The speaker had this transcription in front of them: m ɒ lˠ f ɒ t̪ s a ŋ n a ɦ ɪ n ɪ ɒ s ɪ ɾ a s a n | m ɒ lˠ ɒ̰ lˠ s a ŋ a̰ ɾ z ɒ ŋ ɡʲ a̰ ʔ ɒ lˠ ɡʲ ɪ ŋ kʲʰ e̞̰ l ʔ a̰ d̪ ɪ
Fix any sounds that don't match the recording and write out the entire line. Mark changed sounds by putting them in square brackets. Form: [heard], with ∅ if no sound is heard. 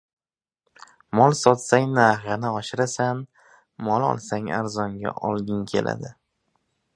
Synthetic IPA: m ɒ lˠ [s] ɒ t̪ s a ŋ n a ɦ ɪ n ɪ ɒ [ʃ] ɪ ɾ a s a n | m ɒ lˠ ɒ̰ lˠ s a ŋ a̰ ɾ z ɒ ŋ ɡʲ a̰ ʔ ɒ lˠ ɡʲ ɪ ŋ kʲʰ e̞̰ l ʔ a̰ d̪ ɪ